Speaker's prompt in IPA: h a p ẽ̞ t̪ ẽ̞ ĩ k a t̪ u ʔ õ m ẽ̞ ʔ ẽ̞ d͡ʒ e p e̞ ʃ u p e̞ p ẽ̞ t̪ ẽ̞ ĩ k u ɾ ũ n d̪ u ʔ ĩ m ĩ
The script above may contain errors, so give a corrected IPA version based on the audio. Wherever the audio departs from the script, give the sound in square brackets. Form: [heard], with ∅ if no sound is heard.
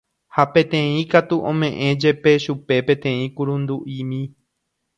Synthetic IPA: h a p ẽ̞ t̪ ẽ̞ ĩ k a t̪ u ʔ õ m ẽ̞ ʔ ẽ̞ d͡ʒ e p e̞ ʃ u p e̞ p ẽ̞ t̪ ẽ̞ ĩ k u ɾ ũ n d̪ u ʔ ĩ m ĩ